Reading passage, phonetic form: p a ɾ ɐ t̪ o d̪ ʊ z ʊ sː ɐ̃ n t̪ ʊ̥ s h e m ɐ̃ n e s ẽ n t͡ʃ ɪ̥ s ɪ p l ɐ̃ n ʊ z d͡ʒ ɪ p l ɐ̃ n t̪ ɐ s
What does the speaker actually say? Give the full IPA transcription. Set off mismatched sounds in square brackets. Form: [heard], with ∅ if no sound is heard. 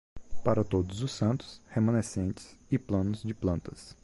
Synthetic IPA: p a ɾ ɐ t̪ o d̪ ʊ z ʊ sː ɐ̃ n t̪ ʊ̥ s h e m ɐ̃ n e s ẽ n t͡ʃ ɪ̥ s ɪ p l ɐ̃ n ʊ z d͡ʒ ɪ p l ɐ̃ n t̪ ɐ s